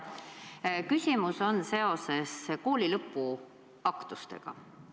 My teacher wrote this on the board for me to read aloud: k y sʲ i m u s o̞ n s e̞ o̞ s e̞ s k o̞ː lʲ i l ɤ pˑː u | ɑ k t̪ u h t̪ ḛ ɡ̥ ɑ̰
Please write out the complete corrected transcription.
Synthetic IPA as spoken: k y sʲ i m u s o̞ n s e̞ o̞ s e̞ s k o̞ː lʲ i l ɤ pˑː u | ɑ k t̪ u s t̪ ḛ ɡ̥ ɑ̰